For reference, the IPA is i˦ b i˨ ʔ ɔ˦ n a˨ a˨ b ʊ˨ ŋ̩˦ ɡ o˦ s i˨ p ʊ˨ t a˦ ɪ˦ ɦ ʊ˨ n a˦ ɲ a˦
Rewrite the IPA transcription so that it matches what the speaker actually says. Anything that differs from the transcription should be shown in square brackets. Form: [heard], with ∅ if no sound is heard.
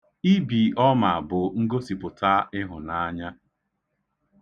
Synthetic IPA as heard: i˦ b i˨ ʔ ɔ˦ [m] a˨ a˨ b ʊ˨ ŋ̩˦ ɡ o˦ s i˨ p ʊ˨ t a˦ ɪ˦ ɦ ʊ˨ n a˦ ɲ a˦

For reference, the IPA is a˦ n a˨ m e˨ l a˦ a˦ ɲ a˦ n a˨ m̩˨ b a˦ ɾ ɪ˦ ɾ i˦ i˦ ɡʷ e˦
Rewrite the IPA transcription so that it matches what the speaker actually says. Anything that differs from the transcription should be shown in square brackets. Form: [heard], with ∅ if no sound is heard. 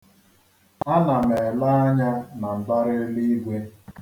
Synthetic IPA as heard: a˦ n a˨ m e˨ l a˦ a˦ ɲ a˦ n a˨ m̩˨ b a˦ ɾ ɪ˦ [l] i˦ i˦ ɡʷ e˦

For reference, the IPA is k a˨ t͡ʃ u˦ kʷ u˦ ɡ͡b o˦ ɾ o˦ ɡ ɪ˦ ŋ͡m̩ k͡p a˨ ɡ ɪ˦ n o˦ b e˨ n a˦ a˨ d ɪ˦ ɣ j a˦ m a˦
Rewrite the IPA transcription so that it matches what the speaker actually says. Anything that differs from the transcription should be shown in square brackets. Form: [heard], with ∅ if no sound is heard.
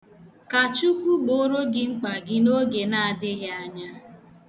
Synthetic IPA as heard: k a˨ t͡ʃ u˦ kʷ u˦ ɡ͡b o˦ ɾ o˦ ɡ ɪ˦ ŋ͡m̩ k͡p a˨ ɡ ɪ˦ n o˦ [ɡ] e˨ n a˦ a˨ d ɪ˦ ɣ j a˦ [ɲ] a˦

